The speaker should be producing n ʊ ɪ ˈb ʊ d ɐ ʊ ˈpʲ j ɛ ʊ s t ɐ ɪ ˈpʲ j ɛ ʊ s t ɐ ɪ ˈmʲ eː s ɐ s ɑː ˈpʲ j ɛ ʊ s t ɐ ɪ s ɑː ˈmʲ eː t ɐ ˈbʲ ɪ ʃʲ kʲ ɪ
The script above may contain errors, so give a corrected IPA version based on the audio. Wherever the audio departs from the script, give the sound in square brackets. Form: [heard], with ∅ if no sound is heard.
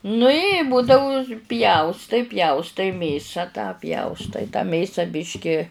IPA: n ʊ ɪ ˈb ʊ d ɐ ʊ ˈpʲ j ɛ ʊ s t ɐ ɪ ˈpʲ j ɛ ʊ s t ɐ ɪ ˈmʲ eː s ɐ [t] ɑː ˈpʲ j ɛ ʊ s t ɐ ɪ [t] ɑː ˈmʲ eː [s] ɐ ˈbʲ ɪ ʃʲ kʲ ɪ